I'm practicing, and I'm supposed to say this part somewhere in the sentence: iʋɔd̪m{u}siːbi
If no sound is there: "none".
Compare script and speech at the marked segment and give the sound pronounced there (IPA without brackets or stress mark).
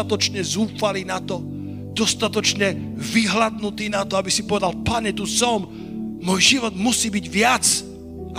u